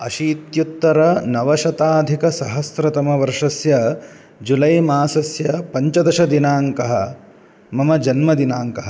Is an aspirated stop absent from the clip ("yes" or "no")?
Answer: yes